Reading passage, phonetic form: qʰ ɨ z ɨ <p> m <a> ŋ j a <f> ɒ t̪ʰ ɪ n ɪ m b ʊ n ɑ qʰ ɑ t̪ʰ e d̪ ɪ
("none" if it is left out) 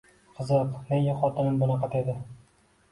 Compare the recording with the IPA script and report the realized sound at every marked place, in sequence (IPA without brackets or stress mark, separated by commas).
q, e, χ